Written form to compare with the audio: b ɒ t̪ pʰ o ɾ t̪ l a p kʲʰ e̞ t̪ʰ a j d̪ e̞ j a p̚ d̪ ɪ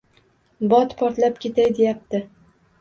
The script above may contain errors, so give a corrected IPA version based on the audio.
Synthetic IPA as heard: b ɒ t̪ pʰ ɒ ɾ t̪ l a p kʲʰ e̞ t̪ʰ a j d̪ e̞ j a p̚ t̪ ɪ